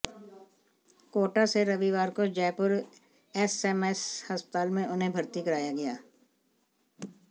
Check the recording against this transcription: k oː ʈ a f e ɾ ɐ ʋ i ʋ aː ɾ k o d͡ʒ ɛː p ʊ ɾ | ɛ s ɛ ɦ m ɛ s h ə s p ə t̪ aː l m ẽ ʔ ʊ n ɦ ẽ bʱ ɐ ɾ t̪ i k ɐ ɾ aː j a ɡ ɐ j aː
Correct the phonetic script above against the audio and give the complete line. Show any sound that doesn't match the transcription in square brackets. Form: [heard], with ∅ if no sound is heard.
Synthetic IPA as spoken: k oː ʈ a [s] e ɾ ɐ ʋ i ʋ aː ɾ k o d͡ʒ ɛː p ʊ ɾ | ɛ s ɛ [∅] m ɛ s h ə s p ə t̪ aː l m ẽ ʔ ʊ n ɦ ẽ bʱ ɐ ɾ t̪ i k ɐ ɾ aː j a ɡ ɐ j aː